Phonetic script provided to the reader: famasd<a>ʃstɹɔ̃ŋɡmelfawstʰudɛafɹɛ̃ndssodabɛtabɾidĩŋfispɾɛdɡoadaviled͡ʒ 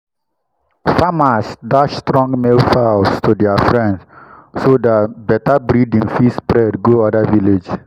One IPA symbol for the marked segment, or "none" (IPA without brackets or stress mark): a